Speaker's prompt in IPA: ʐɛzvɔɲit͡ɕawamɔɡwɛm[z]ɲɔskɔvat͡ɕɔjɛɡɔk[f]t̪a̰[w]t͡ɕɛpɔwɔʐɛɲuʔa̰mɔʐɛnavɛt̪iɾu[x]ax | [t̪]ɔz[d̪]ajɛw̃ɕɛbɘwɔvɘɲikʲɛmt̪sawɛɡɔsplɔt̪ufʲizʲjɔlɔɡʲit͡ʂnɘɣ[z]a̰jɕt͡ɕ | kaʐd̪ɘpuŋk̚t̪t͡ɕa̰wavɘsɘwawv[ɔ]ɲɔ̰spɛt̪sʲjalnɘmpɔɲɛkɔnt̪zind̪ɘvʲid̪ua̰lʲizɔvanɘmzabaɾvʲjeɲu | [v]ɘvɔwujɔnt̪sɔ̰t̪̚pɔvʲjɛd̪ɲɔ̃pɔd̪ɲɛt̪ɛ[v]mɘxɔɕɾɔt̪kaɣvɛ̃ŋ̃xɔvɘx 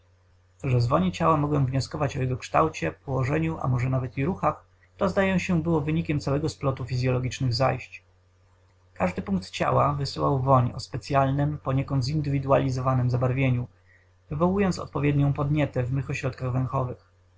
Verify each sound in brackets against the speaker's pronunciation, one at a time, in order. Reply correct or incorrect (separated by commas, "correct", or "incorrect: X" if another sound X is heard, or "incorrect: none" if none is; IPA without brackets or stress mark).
incorrect: v, incorrect: ʂ, correct, correct, correct, correct, correct, correct, correct, correct